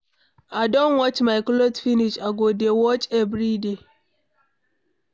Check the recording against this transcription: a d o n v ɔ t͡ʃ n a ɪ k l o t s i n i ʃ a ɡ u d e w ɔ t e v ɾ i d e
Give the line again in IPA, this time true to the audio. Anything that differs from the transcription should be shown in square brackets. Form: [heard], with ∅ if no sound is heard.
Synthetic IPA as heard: a d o n [w] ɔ t͡ʃ [m] a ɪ k l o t [f] i n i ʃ a ɡ [o] d e w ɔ [t͡ʃ] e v ɾ i d e